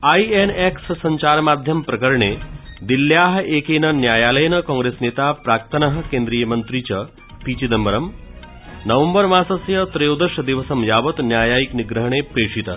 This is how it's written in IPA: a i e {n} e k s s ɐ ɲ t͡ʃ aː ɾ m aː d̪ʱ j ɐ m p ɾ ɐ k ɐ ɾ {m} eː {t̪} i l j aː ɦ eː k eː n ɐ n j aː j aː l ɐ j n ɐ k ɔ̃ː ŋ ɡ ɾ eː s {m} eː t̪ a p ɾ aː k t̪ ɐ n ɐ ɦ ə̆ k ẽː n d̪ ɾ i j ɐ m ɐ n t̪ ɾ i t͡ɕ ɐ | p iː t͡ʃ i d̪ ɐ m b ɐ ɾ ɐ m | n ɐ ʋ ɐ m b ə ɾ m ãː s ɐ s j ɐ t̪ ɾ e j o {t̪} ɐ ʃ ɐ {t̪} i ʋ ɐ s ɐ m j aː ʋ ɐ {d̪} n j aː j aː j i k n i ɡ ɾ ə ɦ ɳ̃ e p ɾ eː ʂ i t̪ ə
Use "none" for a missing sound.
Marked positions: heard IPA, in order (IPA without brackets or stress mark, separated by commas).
n, ɳ, d̪, n, d̪, d̪, t̪